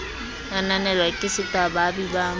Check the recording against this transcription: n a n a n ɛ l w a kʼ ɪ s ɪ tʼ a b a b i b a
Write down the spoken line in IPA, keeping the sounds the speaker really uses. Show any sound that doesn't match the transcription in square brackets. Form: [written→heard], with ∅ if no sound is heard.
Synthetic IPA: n a n a n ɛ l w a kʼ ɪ s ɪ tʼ a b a b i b a